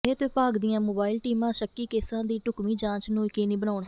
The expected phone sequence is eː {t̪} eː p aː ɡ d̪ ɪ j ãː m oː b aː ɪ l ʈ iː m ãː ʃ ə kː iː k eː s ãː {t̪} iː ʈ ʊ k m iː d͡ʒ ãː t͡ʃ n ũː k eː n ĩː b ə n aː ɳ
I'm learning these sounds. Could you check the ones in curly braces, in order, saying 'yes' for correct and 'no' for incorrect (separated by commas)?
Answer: yes, no